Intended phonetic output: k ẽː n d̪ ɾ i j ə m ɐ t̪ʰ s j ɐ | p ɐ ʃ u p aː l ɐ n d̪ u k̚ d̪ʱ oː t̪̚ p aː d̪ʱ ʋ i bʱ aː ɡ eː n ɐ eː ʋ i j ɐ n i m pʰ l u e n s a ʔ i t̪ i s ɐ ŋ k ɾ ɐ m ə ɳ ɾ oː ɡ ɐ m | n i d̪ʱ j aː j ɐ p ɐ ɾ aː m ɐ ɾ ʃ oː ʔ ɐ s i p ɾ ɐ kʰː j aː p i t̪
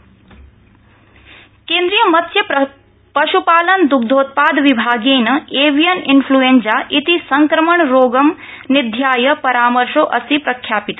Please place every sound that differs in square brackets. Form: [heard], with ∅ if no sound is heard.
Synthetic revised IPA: k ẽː n d̪ ɾ i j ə m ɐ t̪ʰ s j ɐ | p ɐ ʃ u p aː l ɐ n d̪ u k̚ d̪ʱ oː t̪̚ p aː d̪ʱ ʋ i bʱ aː ɡ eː n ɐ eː ʋ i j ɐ n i [n] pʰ l u e n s a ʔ i t̪ i s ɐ ŋ k ɾ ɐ m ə ɳ ɾ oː ɡ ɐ m | n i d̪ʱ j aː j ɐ p ɐ ɾ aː m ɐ ɾ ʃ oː ʔ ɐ s i p ɾ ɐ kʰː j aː p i t̪